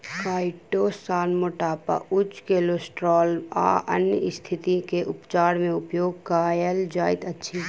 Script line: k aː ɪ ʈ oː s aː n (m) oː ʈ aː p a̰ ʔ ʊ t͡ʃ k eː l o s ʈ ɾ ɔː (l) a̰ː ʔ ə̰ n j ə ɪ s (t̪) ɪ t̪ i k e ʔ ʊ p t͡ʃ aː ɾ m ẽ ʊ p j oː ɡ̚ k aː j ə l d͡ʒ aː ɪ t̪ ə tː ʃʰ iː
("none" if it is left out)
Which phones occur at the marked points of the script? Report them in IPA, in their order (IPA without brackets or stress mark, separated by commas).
m, l, t̪ʰ